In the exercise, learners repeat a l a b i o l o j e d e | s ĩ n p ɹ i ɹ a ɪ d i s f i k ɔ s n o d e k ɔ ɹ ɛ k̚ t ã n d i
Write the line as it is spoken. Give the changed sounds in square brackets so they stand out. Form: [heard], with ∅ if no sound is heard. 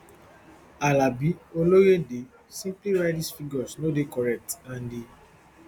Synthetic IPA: a l a b i o l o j e d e | s ĩ [m] p [l] i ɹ a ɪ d i s f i [ɡ] ɔ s n o d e k ɔ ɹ ɛ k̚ t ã n d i

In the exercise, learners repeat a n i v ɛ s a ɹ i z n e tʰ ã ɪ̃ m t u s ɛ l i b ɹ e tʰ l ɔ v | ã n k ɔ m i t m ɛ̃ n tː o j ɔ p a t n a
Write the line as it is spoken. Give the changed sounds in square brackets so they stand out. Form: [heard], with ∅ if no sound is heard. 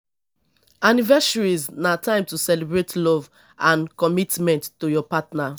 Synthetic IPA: a n i v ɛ s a ɹ i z n [a] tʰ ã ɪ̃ m t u s ɛ l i b ɹ e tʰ l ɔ v | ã n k ɔ m i t m ɛ̃ n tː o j ɔ p a t n a

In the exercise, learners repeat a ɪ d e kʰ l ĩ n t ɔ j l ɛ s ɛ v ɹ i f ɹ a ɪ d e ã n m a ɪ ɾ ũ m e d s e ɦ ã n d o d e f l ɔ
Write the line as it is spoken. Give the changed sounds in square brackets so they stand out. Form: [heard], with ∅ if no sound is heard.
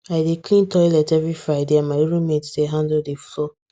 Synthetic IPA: a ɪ d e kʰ l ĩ n t ɔ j l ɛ [t] ɛ v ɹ i f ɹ a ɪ d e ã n m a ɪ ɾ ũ m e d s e ɦ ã n d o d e f l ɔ

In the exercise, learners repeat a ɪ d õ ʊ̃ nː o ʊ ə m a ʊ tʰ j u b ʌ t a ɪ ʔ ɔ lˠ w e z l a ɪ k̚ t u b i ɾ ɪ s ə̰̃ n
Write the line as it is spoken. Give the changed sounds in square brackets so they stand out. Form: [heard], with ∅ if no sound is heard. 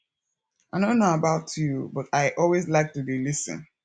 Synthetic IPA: a ɪ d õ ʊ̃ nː o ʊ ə [b] a ʊ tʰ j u b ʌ t a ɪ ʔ ɔ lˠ w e z l a ɪ k̚ t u b i [l] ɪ s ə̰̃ n

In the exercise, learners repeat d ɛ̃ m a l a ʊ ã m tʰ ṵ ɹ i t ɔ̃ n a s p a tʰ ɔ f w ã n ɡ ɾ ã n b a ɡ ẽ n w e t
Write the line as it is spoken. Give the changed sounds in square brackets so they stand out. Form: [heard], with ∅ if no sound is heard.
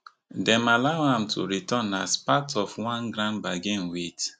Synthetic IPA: d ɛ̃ m a l a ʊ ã m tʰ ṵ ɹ i t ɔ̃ n a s p a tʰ ɔ f w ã n ɡ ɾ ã n b a ɡ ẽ n w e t

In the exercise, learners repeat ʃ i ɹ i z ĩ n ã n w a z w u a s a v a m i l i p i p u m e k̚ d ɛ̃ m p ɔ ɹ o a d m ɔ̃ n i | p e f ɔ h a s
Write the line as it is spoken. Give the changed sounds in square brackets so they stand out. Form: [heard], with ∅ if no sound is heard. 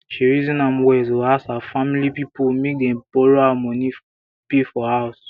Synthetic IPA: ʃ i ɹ i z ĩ n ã [m] w [ɛ] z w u a s a [f] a m i l i p i p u m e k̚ d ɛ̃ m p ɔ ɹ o a [∅] m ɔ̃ n i | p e f ɔ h a s

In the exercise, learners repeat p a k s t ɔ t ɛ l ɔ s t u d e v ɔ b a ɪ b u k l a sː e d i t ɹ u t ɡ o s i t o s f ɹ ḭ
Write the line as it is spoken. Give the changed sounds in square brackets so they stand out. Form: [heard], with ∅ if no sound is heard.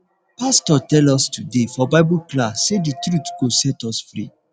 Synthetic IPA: p a [∅] s t ɔ t ɛ l ɔ s t u d e [f] ɔ b a ɪ b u k l a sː e d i t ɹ u t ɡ o s [ɛ] t [ɔ] s f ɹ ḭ

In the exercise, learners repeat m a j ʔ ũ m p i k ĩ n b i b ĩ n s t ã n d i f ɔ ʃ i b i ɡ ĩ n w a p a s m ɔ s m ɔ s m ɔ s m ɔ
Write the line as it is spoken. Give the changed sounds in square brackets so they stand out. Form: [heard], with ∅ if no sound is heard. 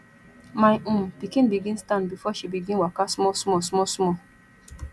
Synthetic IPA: m a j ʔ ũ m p i k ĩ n b i [ɡ] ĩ n s t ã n [b] i f ɔ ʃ i b i ɡ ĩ n w a [k] a s m ɔ s m ɔ s m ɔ s m ɔ

